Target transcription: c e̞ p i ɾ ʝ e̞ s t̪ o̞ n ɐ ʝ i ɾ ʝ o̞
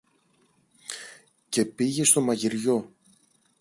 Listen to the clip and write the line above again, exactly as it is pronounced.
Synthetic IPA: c e̞ p i ʝ e̞ s t̪ o̞ m ɐ ʝ i ɾ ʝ o̞